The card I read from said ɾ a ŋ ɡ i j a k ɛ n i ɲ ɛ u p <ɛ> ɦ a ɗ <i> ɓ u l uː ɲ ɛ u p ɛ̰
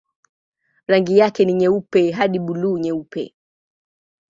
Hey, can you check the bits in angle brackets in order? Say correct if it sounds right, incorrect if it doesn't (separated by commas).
correct, correct